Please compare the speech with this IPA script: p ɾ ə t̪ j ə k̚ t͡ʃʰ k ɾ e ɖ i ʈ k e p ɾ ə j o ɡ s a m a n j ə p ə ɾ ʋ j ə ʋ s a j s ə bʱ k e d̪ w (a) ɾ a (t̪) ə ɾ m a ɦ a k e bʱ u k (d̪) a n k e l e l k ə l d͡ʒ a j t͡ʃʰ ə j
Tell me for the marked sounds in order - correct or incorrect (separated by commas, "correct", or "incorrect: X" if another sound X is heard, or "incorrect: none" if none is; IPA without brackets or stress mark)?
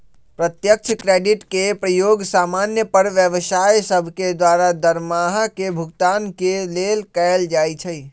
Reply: correct, incorrect: d̪, incorrect: t̪